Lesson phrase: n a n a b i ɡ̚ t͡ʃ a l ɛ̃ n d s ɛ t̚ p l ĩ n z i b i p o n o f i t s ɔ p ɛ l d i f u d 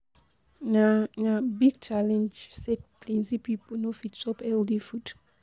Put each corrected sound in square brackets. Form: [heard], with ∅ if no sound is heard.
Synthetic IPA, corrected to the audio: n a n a b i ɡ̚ t͡ʃ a l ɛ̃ n [d͡ʒ] s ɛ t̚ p l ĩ n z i [p] i p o n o f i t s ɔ p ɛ l d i f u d